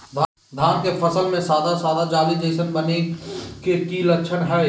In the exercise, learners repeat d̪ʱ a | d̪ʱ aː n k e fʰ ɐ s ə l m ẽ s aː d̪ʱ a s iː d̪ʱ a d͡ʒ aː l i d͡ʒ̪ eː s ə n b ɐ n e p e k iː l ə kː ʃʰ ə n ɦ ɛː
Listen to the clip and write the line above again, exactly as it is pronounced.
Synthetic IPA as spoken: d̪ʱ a | d̪ʱ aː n k e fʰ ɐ s ə l m ẽ s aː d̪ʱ a s aː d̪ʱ a d͡ʒ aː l i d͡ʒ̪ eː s ə n b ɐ n e k e k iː l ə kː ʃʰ ə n ɦ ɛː